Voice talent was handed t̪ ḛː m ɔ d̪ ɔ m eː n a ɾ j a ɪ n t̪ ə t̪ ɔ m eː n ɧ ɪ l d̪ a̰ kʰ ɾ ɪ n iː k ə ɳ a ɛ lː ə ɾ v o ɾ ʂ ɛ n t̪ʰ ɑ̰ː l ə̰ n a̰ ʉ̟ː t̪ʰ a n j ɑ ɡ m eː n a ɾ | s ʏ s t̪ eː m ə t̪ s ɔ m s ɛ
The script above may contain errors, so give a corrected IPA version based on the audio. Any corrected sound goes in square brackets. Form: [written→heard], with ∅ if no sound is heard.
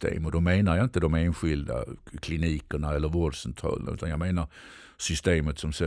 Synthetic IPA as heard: t̪ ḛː m ɔ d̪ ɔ m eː n a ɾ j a ɪ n t̪ ə [t̪→d̪] ɔ m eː n ɧ ɪ l d̪ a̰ kʰ [ɾ→l] ɪ n iː k ə ɳ a ɛ lː ə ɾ v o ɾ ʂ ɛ n t̪ʰ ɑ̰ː l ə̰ n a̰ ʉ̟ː [t̪ʰ→t̪] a n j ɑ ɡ m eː n a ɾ | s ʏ s t̪ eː m ə t̪ s ɔ m s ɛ